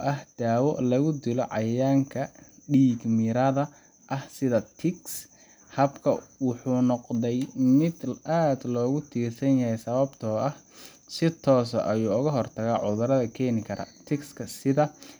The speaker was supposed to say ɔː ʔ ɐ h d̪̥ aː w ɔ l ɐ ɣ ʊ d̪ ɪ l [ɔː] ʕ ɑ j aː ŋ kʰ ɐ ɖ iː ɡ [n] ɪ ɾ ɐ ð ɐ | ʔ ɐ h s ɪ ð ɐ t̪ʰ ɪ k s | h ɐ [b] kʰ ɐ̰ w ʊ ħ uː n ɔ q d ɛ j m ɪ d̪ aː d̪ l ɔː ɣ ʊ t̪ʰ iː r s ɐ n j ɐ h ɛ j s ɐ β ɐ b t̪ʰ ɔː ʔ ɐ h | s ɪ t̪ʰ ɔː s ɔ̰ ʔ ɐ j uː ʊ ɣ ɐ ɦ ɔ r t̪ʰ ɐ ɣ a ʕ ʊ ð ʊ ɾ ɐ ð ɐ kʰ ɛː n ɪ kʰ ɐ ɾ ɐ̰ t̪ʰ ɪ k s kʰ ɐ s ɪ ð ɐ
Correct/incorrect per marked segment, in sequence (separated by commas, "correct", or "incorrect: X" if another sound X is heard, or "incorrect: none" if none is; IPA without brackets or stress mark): incorrect: ɔ, incorrect: m, correct